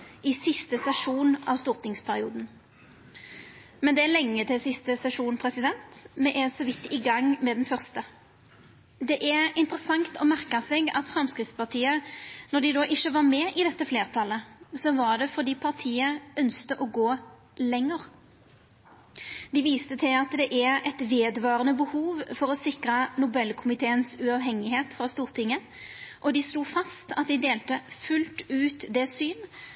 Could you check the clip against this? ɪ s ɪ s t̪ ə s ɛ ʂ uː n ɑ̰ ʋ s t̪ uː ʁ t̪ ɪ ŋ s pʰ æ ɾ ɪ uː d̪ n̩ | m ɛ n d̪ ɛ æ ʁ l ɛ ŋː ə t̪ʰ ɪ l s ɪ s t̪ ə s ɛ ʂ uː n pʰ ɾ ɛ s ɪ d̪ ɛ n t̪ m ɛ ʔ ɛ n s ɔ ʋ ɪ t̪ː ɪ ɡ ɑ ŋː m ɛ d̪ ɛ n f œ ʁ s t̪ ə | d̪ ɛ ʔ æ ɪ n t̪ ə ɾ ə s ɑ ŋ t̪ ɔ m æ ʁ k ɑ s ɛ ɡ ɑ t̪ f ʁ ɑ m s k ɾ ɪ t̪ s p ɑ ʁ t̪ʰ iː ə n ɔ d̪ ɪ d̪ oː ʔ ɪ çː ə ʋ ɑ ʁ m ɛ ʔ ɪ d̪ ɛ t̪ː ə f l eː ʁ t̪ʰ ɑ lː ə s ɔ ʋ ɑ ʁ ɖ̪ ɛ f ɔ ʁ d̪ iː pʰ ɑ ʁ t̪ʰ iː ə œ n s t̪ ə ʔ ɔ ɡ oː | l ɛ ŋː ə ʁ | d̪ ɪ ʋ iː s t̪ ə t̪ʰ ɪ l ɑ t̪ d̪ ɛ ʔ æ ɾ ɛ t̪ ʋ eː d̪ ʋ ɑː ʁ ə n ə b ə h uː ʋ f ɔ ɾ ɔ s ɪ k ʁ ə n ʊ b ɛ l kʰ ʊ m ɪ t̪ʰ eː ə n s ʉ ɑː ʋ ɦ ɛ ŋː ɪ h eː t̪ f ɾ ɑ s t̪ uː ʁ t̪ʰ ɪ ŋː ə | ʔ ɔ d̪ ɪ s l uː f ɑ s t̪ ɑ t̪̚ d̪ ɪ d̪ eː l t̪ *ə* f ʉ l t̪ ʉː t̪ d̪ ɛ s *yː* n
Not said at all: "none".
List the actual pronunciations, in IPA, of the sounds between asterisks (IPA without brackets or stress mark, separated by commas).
ə, yː